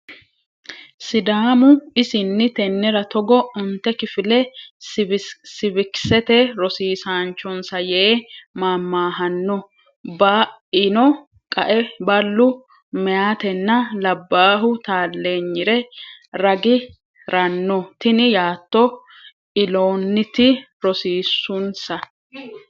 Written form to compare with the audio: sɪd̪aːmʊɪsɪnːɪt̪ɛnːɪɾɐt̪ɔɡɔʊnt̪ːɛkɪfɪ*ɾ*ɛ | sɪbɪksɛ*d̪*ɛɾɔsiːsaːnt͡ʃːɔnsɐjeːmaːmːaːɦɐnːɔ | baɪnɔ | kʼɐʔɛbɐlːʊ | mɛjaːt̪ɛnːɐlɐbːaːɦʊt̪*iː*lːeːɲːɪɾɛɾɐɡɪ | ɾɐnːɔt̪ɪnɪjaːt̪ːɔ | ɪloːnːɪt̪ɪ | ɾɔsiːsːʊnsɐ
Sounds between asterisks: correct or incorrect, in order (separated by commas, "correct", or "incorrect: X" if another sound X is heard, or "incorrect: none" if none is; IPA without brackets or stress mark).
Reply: incorrect: l, incorrect: t̪, incorrect: aː